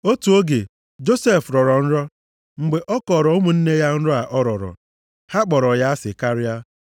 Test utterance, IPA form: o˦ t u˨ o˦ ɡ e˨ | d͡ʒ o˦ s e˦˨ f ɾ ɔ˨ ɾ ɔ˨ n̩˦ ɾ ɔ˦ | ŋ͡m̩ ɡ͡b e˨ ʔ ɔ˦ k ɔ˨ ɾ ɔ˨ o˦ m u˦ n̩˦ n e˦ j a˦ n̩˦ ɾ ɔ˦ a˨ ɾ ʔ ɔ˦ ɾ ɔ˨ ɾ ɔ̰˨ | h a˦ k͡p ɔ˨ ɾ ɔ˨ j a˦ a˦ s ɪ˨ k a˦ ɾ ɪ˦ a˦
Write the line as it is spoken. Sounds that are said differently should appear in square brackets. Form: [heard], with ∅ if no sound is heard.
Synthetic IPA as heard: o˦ t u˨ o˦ ɡ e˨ | d͡ʒ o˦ s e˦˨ f ɾ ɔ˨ ɾ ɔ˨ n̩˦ ɾ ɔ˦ | ŋ͡m̩ ɡ͡b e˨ ʔ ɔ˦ k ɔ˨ ɾ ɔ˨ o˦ m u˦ n̩˦ n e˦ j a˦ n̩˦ ɾ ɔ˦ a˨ [∅] ʔ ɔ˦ ɾ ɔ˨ ɾ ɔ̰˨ | h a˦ k͡p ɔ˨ ɾ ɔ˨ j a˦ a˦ s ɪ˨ k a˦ ɾ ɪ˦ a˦

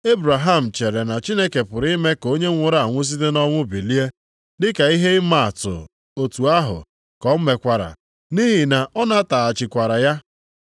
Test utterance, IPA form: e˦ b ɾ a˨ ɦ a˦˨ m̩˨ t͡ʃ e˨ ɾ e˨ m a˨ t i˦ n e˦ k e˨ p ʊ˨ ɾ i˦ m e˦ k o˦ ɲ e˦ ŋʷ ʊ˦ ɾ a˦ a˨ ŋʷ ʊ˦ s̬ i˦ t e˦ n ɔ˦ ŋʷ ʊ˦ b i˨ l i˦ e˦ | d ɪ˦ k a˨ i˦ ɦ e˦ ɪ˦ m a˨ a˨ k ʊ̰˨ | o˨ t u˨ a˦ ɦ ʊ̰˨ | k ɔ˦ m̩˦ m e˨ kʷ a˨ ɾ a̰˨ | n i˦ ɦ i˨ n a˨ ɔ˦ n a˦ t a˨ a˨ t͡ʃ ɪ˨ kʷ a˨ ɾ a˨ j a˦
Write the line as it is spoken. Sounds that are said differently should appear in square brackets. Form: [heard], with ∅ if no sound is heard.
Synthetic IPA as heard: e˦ b ɾ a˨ ɦ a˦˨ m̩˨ t͡ʃ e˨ ɾ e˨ [n] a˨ [t͡ʃ] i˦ n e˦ k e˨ p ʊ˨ ɾ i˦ m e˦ k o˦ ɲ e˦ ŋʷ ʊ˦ ɾ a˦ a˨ ŋʷ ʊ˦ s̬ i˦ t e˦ n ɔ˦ ŋʷ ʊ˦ b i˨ l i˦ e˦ | d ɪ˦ k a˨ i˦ ɦ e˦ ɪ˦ m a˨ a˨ [t] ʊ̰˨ | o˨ t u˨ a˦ ɦ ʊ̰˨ | k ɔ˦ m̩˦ m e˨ kʷ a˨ ɾ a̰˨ | n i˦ ɦ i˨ n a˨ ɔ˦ n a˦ t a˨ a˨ t͡ʃ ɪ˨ kʷ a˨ ɾ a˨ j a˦

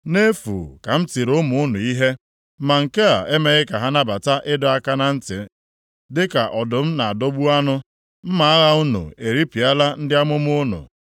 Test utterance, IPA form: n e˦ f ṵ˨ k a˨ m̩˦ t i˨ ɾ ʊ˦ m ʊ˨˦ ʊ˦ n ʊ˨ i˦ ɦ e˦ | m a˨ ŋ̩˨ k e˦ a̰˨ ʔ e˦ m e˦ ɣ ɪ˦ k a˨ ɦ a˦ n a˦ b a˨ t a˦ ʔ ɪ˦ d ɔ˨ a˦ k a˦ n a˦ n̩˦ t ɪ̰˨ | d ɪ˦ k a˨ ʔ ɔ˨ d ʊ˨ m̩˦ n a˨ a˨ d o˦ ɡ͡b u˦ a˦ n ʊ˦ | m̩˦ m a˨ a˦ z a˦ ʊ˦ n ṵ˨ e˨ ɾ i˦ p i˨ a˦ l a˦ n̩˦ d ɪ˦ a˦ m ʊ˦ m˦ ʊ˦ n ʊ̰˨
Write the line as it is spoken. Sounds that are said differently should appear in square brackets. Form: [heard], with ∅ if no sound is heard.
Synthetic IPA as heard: n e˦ f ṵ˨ k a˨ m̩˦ t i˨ ɾ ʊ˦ m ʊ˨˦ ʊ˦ n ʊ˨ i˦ ɦ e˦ | m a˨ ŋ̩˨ k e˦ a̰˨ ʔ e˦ m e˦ ɣ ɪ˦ k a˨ ɦ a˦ n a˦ b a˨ t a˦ ʔ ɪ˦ d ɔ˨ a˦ k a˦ n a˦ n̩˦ t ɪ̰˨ | d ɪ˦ k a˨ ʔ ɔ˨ d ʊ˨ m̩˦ n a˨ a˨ d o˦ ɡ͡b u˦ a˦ n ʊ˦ | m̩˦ m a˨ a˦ [ɣ] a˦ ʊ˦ n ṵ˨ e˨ ɾ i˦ p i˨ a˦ l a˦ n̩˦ d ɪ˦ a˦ m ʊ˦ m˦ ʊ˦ n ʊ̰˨

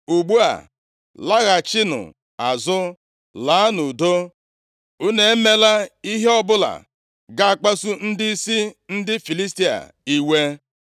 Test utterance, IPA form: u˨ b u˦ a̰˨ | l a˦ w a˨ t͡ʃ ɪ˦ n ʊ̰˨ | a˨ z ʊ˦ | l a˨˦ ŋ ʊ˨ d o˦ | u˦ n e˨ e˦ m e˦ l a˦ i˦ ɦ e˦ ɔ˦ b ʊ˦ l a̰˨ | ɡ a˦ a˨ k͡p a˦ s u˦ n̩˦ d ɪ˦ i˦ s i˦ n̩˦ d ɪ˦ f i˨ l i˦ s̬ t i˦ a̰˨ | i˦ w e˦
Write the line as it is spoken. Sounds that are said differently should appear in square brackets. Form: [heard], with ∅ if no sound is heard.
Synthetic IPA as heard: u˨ [ɡ͡b] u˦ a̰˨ | l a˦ [ɣ] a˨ t͡ʃ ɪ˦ n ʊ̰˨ | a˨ z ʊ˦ | l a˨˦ [n] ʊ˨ d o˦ | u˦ n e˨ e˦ m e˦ l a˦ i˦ ɦ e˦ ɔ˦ b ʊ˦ l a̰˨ | ɡ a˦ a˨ k͡p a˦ s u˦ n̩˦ d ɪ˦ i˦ s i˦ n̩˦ d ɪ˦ f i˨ l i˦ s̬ t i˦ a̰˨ | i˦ w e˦

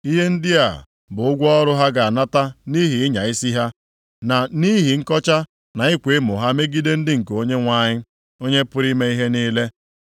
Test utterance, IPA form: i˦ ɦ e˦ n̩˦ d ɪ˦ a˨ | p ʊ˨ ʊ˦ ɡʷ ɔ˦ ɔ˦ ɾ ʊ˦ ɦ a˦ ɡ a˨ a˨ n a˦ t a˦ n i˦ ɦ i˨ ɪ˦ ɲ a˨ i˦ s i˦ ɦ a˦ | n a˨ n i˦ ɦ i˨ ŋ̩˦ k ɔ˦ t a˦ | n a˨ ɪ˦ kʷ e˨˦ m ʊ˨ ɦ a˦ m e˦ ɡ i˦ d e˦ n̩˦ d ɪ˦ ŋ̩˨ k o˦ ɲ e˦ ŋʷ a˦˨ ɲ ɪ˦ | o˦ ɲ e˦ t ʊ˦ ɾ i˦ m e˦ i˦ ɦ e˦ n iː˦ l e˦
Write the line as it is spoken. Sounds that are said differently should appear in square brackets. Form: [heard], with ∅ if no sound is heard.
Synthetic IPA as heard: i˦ ɦ e˦ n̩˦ d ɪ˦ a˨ | [b] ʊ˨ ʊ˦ ɡʷ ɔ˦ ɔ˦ ɾ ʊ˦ ɦ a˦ ɡ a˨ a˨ n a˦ t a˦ n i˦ ɦ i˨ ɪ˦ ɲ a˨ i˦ s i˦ ɦ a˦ | n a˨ n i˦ ɦ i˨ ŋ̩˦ k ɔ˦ [t͡ʃ] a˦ | n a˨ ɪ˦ kʷ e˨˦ m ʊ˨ ɦ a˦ m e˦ ɡ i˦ d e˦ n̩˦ d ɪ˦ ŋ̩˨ k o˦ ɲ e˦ ŋʷ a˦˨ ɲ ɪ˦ | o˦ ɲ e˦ [p] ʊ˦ ɾ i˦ m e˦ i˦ ɦ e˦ n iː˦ l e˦

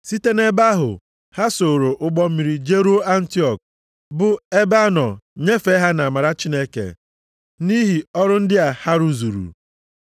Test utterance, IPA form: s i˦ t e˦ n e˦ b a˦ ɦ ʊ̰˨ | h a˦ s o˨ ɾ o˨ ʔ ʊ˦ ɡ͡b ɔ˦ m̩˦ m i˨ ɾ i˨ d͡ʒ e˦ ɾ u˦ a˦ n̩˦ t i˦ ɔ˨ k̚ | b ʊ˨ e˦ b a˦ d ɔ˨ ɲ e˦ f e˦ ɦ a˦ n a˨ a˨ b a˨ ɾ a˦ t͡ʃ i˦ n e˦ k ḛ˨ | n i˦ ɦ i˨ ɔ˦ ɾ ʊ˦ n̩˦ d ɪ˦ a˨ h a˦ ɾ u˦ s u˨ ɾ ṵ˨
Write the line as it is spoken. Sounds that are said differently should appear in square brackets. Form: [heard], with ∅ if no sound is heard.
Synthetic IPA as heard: s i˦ t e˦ n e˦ b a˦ ɦ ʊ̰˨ | h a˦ s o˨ ɾ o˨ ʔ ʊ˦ ɡ͡b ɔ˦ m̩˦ m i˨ ɾ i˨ d͡ʒ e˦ ɾ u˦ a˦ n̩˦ t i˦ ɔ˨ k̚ | b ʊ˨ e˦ b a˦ [n] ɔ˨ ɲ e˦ f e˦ ɦ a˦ n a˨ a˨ [m] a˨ ɾ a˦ t͡ʃ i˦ n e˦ k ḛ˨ | n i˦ ɦ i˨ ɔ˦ ɾ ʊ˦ n̩˦ d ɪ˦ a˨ h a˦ ɾ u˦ [z] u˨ ɾ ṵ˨

